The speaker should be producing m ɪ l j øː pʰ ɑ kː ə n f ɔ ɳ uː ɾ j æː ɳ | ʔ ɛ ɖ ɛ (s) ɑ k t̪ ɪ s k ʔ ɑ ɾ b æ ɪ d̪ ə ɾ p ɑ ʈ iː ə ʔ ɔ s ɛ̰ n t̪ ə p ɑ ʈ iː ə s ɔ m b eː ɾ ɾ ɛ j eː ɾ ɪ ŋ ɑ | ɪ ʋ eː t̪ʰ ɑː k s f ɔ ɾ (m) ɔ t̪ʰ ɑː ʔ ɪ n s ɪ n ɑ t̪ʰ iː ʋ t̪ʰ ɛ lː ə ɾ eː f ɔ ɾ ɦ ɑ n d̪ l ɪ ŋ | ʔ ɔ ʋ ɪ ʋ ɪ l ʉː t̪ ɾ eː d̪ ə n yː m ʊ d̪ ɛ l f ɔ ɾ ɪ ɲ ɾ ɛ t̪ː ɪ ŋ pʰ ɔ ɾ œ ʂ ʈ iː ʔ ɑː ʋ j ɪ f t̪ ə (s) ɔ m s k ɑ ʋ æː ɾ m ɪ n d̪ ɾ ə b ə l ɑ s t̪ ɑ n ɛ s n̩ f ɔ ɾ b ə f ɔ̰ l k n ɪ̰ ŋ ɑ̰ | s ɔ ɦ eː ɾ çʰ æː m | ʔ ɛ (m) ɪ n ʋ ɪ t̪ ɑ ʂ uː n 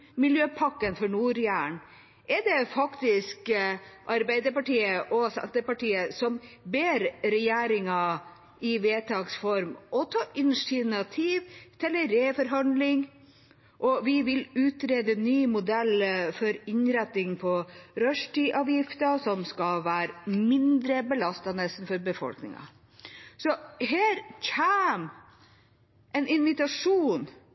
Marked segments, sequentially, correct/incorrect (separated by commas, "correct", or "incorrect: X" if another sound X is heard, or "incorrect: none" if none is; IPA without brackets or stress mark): incorrect: f, correct, correct, incorrect: n